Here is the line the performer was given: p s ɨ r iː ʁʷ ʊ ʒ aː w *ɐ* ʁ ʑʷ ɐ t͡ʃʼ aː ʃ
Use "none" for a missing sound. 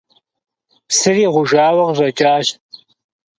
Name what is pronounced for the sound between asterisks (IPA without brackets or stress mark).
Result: ɐ